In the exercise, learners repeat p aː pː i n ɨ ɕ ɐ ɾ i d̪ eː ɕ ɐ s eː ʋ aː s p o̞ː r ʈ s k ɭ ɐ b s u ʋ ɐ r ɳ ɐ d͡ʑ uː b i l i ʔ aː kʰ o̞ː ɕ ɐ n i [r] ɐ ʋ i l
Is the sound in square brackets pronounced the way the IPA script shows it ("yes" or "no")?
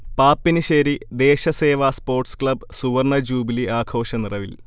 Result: yes